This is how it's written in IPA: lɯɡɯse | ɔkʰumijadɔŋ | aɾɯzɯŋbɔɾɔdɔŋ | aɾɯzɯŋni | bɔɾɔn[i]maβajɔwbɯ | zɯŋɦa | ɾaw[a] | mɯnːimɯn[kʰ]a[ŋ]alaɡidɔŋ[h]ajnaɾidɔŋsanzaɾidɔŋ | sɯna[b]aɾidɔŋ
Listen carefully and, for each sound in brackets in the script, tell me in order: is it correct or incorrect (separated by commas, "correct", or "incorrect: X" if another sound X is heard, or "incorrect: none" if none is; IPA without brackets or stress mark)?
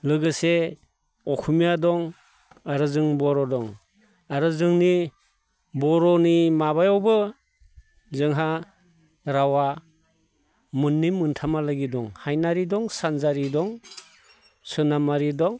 correct, correct, incorrect: tʰ, incorrect: m, correct, incorrect: m